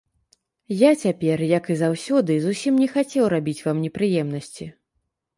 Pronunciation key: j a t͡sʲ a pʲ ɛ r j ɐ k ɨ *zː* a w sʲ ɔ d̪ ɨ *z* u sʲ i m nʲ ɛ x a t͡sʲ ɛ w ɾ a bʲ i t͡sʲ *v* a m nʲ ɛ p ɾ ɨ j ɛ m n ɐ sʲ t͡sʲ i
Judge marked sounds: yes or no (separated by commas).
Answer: no, yes, yes